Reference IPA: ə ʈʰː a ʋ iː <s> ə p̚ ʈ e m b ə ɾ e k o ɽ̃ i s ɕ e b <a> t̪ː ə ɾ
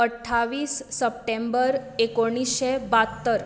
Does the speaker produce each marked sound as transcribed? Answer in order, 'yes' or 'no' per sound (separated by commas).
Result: no, yes